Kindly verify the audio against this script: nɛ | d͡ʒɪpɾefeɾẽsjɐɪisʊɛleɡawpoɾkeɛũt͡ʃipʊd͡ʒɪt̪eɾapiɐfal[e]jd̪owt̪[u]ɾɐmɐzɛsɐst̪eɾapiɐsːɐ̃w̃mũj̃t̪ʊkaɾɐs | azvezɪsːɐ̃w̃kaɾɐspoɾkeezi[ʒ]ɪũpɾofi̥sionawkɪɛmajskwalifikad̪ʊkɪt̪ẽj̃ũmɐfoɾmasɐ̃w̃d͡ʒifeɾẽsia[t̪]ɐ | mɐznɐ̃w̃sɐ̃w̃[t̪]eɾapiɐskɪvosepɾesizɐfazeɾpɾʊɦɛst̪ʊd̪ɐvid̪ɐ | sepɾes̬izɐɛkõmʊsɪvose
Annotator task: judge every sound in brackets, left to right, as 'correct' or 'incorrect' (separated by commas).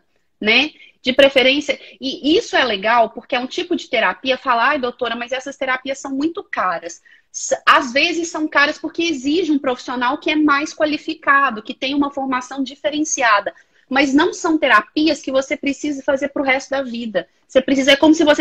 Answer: incorrect, incorrect, correct, incorrect, correct